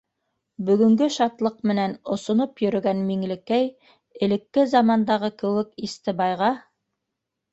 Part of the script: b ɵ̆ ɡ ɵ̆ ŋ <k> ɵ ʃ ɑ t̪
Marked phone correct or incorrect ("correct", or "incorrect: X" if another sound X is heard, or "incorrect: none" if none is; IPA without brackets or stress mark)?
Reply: incorrect: ɡ